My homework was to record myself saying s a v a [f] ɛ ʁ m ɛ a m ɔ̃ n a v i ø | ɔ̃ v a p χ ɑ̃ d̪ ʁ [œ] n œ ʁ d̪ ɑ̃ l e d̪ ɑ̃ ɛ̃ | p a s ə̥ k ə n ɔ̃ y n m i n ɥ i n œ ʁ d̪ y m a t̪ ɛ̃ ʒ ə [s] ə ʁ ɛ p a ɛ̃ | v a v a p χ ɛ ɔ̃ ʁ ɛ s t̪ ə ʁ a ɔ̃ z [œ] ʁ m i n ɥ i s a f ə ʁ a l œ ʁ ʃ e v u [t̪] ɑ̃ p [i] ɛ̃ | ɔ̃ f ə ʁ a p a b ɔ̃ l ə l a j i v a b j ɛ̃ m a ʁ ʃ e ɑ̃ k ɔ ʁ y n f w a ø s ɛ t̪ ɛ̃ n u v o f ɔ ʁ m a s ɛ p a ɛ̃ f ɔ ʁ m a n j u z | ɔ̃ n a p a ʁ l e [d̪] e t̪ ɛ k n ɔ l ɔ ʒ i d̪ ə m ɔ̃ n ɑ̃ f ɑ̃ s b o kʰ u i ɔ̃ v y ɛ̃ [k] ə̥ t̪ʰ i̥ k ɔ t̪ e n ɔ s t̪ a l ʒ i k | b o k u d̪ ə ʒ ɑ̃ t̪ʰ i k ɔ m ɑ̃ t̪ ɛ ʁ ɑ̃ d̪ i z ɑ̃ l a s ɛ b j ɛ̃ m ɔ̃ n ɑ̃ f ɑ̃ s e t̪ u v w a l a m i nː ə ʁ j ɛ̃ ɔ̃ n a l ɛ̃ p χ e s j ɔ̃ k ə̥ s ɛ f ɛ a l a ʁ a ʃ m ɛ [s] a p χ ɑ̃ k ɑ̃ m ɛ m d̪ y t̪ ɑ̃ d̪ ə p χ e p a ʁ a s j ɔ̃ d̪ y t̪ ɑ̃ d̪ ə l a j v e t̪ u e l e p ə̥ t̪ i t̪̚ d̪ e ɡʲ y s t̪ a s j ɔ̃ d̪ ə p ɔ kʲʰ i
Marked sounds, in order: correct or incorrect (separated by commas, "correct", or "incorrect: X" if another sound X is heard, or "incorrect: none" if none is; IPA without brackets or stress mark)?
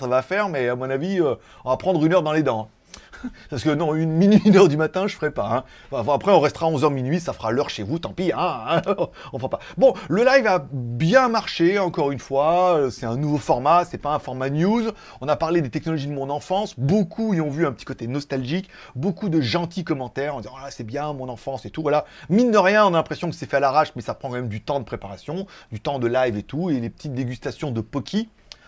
correct, incorrect: y, incorrect: f, correct, correct, correct, correct, incorrect: p, correct